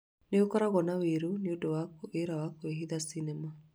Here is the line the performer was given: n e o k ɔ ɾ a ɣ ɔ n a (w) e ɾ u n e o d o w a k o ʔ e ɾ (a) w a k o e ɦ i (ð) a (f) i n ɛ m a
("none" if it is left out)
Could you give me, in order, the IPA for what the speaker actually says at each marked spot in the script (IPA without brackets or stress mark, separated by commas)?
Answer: w, a, ð, s